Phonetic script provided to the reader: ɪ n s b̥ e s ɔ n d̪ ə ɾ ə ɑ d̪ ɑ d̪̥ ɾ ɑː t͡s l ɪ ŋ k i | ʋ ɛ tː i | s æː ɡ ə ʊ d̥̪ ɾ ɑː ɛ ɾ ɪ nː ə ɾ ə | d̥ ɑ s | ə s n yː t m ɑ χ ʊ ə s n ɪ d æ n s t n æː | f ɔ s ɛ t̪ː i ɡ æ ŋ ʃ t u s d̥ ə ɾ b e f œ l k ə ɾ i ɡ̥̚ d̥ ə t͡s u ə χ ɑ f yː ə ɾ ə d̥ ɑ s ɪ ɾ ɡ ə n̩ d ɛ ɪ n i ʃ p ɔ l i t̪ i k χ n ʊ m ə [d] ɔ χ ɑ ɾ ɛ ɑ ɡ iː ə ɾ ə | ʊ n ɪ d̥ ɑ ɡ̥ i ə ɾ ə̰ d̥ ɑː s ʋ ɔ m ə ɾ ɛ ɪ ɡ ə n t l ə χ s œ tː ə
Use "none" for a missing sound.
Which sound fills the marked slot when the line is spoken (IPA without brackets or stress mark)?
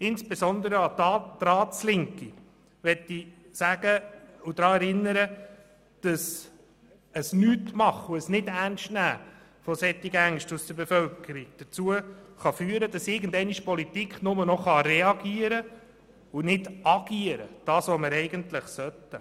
n